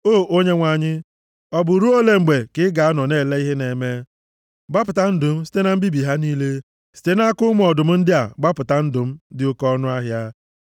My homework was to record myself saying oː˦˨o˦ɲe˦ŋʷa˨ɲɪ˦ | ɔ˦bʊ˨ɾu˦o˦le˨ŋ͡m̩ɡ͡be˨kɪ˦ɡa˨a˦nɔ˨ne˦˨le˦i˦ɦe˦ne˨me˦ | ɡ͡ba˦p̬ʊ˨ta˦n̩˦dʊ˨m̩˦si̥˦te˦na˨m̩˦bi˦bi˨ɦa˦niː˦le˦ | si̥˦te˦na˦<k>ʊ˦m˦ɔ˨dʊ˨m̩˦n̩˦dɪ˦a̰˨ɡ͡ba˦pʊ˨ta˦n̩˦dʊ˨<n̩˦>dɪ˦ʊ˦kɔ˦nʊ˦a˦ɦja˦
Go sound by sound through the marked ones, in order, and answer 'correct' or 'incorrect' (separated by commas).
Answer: correct, incorrect